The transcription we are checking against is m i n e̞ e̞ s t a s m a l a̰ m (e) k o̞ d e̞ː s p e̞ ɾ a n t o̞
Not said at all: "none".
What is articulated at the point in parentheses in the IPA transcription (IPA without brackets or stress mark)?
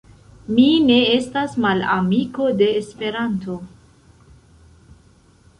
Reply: i